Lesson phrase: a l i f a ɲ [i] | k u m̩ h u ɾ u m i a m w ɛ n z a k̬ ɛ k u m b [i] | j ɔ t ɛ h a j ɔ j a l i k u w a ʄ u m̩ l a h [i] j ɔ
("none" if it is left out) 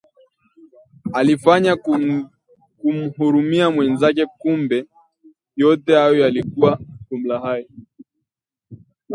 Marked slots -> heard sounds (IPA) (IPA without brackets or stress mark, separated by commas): a, ɛ, a